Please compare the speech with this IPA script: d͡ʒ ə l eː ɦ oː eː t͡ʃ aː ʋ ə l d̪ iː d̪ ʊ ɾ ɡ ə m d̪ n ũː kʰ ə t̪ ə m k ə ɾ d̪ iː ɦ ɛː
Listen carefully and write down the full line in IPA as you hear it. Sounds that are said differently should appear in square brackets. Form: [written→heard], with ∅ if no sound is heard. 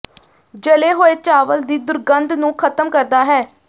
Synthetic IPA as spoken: d͡ʒ ə l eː ɦ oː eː t͡ʃ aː ʋ ə l d̪ iː d̪ ʊ ɾ ɡ ə [m→n] d̪ n ũː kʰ ə t̪ ə m k ə ɾ d̪ [iː→aː] ɦ ɛː